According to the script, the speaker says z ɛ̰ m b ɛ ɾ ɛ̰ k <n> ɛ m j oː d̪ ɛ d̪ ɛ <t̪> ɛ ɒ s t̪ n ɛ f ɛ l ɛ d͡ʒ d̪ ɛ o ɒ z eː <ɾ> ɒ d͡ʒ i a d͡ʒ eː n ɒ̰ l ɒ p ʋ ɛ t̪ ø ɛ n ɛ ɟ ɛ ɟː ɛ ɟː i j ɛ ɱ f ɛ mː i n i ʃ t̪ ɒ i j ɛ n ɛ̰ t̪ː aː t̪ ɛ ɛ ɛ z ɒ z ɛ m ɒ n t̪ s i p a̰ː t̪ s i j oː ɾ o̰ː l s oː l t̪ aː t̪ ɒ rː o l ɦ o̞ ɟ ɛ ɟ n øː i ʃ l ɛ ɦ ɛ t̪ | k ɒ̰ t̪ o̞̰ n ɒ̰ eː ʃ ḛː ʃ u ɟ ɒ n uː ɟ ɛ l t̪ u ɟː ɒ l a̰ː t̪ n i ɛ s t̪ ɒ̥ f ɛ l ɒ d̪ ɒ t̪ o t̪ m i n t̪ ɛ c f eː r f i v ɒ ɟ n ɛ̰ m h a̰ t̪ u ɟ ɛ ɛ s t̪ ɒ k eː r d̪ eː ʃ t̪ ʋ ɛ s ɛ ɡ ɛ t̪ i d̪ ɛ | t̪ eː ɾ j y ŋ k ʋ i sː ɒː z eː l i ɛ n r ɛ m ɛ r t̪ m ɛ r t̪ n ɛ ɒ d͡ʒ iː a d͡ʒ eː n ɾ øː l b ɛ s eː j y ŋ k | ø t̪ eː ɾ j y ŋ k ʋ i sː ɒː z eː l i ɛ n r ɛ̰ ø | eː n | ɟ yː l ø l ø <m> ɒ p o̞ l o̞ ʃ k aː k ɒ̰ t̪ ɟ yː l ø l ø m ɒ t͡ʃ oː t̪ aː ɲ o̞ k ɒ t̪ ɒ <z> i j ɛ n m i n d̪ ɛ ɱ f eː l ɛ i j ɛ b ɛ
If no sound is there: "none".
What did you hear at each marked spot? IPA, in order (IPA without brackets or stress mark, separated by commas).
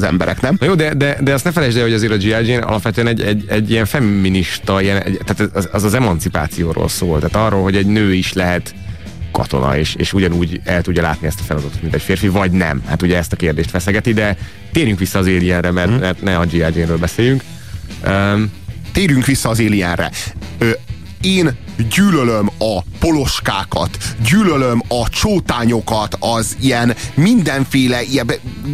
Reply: n, d̪, ɾ, m, z